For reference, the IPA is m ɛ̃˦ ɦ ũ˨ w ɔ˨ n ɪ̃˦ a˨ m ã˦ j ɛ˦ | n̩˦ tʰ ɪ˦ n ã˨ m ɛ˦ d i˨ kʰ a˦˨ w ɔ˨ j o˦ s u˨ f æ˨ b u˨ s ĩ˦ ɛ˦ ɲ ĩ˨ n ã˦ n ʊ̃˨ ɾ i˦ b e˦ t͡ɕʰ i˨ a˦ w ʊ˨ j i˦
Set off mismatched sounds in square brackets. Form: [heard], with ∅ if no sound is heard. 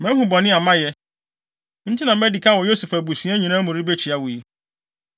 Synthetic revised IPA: m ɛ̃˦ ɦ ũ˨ [b] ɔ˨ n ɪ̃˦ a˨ m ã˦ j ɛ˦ | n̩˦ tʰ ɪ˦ n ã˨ m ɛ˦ d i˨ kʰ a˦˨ w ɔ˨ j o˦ s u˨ f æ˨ b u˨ s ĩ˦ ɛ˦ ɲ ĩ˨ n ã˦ [m] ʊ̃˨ ɾ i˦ b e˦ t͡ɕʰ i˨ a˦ w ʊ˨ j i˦

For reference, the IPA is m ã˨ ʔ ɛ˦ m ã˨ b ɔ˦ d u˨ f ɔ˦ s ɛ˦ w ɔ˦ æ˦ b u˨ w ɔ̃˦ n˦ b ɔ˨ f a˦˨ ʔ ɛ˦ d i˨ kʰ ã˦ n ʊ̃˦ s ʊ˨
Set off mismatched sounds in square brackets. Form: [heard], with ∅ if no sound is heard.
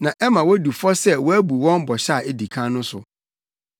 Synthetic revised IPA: [n] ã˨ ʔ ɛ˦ m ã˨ [w] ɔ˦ d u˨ f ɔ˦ s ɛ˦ w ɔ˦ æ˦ b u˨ w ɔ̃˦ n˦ b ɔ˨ [ɕ] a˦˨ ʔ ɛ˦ d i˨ kʰ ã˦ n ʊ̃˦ s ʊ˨

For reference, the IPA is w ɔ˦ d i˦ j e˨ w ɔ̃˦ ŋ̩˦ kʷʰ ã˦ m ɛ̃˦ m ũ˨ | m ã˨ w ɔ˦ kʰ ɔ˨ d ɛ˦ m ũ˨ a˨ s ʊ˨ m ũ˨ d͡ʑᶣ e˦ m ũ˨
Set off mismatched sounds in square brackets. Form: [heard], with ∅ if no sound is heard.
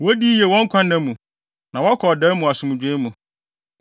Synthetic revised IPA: w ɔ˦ d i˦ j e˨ w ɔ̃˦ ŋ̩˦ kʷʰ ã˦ [n] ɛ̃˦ m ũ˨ | [n] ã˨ w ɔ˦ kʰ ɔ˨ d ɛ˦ m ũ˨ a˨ s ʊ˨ m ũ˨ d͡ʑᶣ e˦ m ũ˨

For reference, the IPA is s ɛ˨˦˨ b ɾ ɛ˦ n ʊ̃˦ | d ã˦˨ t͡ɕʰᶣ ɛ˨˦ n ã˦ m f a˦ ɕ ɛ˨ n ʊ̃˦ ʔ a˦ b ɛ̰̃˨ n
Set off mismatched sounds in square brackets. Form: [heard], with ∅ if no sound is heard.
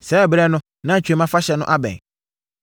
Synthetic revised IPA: s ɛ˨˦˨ b ɾ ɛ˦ n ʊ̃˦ | [n] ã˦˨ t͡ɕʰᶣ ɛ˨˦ [m] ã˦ [∅] f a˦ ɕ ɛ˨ n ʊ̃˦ ʔ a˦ b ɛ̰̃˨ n

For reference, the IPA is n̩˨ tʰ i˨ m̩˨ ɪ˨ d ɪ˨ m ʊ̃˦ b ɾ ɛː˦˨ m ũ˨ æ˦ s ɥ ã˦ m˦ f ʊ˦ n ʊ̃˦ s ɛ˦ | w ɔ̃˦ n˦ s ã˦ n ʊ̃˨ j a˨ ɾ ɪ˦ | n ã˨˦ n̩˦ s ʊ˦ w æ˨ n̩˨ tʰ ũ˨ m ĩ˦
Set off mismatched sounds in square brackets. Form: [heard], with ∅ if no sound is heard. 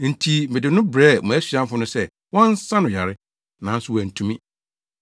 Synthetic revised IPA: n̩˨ tʰ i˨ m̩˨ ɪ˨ d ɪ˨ [n] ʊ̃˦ b ɾ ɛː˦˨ m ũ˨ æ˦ s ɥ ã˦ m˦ f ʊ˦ n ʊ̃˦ s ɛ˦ | w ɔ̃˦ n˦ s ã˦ n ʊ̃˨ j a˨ ɾ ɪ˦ | n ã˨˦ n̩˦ s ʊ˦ w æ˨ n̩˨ tʰ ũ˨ m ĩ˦

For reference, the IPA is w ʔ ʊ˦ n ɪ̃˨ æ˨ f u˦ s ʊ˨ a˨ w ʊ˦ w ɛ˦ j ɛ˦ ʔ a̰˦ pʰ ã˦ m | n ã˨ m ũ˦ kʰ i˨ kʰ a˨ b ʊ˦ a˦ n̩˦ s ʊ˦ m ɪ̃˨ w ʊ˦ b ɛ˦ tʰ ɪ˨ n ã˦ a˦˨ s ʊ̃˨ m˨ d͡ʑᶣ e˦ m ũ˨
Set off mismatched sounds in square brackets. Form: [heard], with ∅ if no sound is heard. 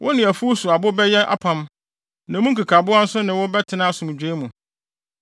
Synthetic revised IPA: w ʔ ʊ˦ n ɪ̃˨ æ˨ f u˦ s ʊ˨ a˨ [b] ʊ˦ [b] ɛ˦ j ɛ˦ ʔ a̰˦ pʰ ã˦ m | n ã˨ m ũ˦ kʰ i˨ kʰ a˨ b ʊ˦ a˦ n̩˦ s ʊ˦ [n] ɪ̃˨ w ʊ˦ b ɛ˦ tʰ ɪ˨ n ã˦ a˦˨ s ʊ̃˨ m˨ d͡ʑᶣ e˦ m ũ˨

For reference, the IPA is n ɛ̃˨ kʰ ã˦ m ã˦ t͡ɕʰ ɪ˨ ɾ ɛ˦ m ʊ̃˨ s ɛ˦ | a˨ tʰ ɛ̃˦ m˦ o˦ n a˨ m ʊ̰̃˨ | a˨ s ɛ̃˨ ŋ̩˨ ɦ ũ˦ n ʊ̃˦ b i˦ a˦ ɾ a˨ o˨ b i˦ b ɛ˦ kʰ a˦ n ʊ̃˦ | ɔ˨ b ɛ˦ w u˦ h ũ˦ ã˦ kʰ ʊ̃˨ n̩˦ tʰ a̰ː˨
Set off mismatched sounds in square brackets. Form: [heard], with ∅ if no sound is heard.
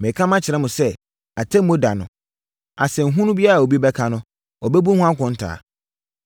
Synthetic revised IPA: [m] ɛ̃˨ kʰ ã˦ m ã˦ t͡ɕʰ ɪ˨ ɾ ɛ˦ m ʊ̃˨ s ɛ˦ | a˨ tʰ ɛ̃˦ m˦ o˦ [d] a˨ [n] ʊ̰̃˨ | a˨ s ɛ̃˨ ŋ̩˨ ɦ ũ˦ n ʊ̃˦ b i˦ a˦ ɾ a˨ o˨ b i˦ b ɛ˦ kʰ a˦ n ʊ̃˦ | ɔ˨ b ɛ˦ [b] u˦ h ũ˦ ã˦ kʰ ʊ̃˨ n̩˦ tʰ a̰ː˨

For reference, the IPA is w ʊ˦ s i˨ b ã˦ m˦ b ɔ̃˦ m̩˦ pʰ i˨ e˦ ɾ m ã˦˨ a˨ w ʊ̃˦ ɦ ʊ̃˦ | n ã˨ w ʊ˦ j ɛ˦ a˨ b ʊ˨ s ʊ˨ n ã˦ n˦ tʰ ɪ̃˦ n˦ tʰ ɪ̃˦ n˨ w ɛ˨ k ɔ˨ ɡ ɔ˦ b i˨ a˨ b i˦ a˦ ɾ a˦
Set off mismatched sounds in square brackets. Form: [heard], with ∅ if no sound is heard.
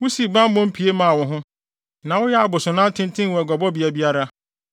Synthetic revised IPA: w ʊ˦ s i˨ b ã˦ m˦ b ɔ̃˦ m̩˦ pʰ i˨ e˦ [∅] m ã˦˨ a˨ w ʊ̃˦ ɦ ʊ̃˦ | n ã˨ w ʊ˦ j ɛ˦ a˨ b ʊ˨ s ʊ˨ n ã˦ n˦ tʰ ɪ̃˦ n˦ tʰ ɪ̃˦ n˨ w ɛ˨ [ɡ] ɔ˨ [b] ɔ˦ b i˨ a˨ b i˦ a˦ ɾ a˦

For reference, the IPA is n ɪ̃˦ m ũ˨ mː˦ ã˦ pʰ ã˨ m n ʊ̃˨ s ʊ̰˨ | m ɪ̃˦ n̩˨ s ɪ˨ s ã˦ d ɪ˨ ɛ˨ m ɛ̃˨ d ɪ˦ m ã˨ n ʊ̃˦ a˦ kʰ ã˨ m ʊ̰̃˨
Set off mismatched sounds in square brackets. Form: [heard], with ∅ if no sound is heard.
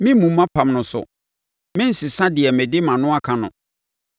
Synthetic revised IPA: [m] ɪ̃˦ m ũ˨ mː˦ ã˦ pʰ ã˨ m n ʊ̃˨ s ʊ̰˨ | m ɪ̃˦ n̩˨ s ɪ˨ s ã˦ d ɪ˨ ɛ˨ m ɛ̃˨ d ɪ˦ m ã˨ n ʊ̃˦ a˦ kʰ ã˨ [n] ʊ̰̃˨

